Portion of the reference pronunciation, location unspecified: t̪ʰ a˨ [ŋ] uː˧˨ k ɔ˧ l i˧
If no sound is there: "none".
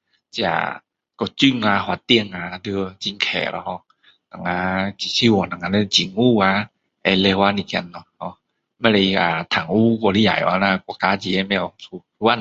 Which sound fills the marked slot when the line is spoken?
ŋ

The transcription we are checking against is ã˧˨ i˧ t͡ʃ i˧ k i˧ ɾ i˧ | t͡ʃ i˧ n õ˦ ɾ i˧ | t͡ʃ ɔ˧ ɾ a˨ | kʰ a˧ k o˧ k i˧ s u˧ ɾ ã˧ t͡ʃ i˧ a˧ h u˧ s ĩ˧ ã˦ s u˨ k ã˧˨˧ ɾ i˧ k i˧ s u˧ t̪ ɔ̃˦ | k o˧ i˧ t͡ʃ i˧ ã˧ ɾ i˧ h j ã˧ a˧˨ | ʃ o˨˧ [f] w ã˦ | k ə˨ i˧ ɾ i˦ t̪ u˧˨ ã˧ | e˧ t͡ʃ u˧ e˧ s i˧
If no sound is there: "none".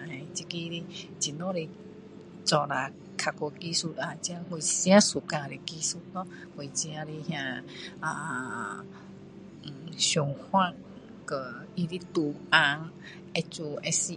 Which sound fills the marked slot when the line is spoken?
h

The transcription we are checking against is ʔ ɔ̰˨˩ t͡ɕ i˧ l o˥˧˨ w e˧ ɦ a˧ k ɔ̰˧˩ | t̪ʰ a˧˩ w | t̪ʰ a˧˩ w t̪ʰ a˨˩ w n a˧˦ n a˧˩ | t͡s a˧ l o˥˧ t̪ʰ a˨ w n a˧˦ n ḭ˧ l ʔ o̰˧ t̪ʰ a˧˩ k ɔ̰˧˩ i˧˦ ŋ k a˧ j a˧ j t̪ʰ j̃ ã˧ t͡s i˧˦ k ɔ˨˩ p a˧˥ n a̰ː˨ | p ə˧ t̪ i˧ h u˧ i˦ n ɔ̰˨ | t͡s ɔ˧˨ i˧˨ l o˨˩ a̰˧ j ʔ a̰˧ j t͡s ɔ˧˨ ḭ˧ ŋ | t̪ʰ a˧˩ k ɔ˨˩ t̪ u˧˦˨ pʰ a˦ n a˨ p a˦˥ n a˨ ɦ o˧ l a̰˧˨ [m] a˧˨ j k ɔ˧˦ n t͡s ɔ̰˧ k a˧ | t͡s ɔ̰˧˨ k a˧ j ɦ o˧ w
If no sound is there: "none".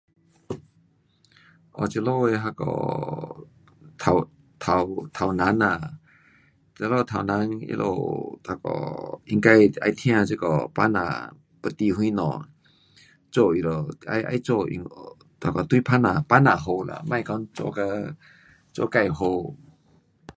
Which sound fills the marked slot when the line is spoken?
m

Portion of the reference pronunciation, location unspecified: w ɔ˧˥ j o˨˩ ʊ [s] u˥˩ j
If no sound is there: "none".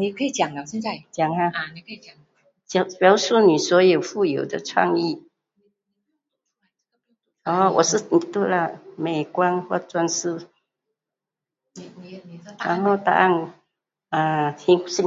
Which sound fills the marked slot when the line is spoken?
f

